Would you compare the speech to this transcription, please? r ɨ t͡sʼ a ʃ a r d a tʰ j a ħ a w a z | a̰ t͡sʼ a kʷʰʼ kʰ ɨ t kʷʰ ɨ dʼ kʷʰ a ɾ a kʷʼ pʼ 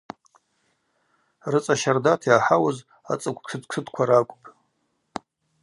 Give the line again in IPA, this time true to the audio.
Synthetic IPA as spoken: r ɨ t͡sʼ a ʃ a r d a tʰ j a ħ a w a z | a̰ t͡sʼ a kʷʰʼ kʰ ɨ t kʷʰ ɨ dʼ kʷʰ a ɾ a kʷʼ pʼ